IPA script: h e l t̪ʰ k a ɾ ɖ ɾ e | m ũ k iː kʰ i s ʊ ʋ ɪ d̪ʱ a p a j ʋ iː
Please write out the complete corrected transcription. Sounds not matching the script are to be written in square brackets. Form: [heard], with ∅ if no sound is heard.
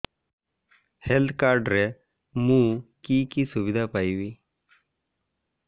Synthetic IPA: h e l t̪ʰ k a ɾ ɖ ɾ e | m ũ k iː [k] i s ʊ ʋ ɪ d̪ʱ a p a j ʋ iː

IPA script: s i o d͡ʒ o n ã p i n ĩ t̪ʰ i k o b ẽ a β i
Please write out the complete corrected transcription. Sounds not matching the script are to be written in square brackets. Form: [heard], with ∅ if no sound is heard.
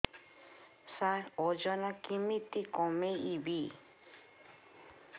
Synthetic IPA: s [a] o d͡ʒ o n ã [k] i [m] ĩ [t̪] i k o [m] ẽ [i] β i

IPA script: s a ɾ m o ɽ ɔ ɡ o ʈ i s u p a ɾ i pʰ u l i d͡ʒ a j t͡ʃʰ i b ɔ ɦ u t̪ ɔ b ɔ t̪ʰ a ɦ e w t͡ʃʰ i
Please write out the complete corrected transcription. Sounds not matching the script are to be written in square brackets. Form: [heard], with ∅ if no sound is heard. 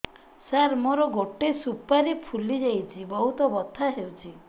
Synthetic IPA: s a ɾ m o [ɾ] ɔ ɡ o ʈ [e] s u p a ɾ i pʰ u l i d͡ʒ a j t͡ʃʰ i b ɔ ɦ u t̪ ɔ b ɔ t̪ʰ a ɦ e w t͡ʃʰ i

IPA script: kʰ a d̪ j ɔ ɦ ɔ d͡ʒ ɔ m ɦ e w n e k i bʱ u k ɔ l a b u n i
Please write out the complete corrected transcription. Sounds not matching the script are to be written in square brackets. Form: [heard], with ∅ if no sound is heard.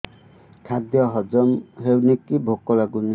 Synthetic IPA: kʰ a d̪ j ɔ ɦ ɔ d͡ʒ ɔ m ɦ e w n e k i bʱ [o] k ɔ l a [ɡ] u n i

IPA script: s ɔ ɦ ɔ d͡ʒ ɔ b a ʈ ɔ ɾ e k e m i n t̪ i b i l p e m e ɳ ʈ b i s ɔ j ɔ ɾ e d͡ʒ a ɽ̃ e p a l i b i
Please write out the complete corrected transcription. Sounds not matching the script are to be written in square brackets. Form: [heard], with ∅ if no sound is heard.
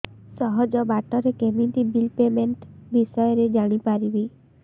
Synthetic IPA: s ɔ ɦ ɔ d͡ʒ ɔ b a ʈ ɔ ɾ e k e m i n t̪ i b i l p e m e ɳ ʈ b i s ɔ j ɔ ɾ e d͡ʒ a ɽ̃ [i] p a [ɾ] i b i

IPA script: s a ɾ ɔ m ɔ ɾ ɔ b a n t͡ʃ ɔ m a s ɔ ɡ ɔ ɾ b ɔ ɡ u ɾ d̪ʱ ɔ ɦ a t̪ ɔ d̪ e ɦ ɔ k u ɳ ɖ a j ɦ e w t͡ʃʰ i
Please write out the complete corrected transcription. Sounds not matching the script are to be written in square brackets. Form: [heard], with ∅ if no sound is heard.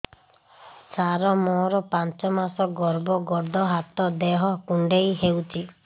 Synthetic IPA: s a ɾ ɔ m ɔ ɾ ɔ [p] a n t͡ʃ ɔ m a s ɔ ɡ ɔ ɾ b ɔ ɡ [ɔ] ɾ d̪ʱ ɔ ɦ a t̪ ɔ d̪ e ɦ ɔ k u ɳ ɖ [e] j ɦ e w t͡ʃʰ i

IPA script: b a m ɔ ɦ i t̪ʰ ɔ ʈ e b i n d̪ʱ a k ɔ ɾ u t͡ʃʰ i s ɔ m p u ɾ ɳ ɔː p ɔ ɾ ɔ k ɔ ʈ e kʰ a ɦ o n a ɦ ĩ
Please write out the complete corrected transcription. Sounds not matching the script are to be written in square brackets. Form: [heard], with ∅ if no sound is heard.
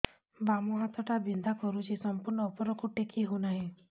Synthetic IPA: b a m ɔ ɦ [a] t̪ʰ ɔ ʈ [a] b i n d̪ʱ a k ɔ ɾ u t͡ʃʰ i s ɔ m p u ɾ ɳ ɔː p ɔ ɾ ɔ k [u] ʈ e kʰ [i] ɦ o n a ɦ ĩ

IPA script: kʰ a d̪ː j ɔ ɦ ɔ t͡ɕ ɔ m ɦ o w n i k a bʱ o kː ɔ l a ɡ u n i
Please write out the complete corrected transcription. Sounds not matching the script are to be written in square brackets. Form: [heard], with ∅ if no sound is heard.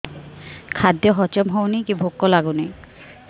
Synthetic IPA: kʰ a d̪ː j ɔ ɦ ɔ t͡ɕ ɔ m ɦ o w n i k [i] bʱ o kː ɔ l a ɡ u n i

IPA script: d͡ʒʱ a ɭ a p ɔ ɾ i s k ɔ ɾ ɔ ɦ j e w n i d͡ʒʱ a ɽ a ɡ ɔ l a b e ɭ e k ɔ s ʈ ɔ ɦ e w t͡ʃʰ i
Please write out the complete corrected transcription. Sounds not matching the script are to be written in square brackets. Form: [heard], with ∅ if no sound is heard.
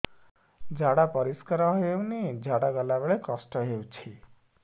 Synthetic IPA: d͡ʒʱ a [ɽ] a p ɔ ɾ i s k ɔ ɾ ɔ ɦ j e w n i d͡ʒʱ a ɽ a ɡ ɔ l a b e ɭ e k ɔ s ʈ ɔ ɦ e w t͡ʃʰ i

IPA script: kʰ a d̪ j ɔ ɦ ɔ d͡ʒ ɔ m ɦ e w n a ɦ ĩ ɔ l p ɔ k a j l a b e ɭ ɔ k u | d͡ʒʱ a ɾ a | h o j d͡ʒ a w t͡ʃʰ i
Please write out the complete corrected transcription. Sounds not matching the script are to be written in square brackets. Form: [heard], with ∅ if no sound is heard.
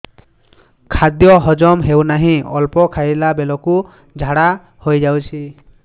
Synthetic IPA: kʰ a d̪ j ɔ ɦ ɔ d͡ʒ ɔ m ɦ e w n a ɦ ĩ ɔ l p ɔ [kʰ] a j l a b e [l] ɔ k u | d͡ʒʱ a [ɽ] a | h o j d͡ʒ a w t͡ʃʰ i

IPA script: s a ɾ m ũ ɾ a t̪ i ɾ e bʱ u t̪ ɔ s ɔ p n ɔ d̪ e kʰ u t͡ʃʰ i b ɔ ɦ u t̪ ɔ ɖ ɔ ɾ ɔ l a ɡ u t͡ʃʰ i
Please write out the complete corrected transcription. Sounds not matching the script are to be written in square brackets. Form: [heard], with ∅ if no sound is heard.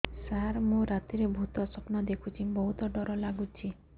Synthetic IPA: s a ɾ m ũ ɾ a t̪ i ɾ e bʱ u t̪ ɔ s ɔ p n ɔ d̪ e kʰ u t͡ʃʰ i b ɔ ɦ u t̪ ɔ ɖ ɔ ɾ ɔ l a ɡ u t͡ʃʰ i

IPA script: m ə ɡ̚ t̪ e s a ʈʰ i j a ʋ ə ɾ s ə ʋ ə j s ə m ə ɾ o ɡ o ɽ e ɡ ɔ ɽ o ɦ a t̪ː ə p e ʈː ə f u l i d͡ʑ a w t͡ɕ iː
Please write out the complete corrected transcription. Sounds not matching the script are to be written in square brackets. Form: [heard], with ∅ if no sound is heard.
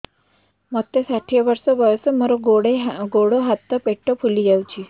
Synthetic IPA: m ə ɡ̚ t̪ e s a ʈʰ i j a ʋ ə ɾ s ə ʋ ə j s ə m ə ɾ o ɡ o ɽ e ɡ [o] ɽ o ɦ a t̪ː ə p e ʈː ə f u l i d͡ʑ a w t͡ɕ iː

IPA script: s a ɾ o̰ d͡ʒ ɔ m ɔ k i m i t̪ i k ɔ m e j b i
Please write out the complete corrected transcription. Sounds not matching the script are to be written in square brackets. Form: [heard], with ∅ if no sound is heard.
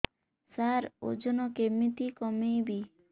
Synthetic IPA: s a ɾ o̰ d͡ʒ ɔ [n] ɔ k [e] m i t̪ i k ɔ m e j b i

